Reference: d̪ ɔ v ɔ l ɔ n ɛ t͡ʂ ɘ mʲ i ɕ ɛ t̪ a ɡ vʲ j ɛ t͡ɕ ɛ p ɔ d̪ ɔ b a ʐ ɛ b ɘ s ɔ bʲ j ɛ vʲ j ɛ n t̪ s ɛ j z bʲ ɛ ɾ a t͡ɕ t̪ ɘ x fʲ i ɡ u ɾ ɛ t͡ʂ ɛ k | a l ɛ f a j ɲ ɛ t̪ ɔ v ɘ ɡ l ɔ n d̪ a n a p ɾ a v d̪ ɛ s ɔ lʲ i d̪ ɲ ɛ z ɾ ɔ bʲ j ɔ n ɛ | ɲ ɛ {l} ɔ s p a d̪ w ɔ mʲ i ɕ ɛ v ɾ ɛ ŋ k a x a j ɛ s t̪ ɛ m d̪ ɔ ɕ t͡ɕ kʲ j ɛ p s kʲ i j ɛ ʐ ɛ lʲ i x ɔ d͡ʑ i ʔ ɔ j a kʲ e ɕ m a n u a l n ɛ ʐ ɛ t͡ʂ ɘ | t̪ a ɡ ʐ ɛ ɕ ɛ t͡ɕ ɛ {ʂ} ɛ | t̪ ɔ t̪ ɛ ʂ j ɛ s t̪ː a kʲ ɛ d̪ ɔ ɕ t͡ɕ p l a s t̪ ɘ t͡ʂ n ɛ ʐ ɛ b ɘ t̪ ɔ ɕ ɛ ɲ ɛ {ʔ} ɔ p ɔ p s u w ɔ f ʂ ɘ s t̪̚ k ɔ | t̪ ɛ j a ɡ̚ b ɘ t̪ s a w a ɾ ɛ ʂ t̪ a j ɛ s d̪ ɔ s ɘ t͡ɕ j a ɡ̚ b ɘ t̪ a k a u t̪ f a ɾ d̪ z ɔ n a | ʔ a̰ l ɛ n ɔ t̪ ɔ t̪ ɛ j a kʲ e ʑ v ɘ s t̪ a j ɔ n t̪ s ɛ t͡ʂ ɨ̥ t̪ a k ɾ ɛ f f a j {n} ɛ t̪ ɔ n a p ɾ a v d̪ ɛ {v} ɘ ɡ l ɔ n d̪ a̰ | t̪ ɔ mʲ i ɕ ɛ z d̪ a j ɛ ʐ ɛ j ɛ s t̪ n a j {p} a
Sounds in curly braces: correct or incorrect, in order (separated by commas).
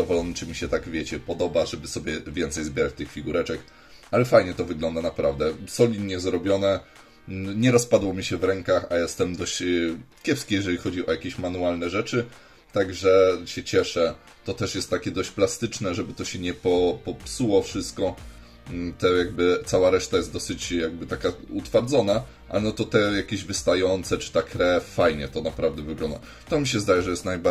incorrect, correct, incorrect, incorrect, correct, incorrect